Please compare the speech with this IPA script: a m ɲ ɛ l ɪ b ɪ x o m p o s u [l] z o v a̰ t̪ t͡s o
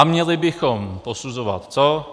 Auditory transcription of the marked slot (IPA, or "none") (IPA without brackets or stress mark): none